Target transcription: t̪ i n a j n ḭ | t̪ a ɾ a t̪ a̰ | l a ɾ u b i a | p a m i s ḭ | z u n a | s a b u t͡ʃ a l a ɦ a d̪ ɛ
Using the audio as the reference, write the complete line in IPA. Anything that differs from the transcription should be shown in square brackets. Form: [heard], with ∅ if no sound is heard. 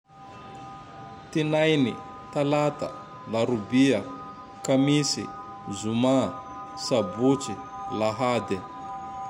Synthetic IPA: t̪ i n a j n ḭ | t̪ a [l] a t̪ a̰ | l a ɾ u b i a | [k] a m i s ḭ | z u [m] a | s a b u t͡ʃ [i] l a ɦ a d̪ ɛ